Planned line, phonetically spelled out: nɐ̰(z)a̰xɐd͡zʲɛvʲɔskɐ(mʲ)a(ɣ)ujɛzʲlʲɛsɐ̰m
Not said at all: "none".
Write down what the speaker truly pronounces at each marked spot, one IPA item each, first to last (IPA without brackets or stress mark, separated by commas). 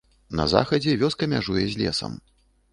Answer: z, mʲ, ʐ